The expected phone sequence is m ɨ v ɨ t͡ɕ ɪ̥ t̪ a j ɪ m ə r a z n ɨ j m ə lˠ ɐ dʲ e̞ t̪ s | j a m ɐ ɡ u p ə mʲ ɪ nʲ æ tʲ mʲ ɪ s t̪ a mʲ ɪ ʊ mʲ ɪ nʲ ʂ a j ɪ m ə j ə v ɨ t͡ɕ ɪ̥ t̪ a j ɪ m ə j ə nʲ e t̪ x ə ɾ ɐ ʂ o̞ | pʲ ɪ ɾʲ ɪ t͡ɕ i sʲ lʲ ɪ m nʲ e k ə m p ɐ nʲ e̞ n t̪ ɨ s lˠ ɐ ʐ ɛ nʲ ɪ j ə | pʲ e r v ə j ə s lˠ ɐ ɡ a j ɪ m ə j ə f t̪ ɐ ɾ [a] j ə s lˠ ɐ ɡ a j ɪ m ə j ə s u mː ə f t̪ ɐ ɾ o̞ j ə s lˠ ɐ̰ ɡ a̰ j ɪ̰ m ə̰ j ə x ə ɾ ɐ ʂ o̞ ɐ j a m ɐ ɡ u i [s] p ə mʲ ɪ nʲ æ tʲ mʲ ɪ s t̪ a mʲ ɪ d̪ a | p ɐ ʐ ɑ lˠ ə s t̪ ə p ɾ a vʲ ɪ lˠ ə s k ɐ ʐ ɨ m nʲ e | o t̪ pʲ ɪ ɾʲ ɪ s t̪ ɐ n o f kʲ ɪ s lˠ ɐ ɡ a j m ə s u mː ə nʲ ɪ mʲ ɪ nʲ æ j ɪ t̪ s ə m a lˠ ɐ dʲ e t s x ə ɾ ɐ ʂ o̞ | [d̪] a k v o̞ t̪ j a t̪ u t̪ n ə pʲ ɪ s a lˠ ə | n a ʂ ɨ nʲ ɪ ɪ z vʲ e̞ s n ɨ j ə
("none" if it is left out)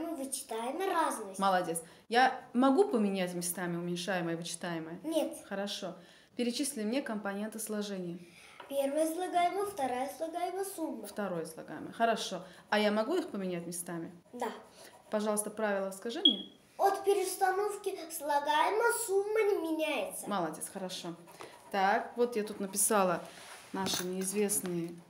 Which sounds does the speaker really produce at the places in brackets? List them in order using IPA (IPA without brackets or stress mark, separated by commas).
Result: a, x, t̪